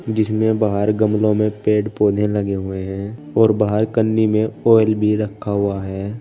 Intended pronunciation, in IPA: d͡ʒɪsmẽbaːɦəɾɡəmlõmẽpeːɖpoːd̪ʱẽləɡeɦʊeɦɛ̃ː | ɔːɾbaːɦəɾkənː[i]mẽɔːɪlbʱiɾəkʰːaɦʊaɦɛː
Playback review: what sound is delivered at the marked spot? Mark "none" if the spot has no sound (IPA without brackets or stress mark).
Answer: i